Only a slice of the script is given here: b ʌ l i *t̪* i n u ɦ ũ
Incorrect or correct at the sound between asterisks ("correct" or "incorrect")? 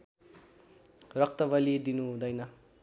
incorrect